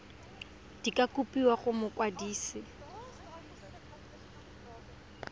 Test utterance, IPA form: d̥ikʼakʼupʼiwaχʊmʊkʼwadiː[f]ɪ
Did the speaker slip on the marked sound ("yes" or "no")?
yes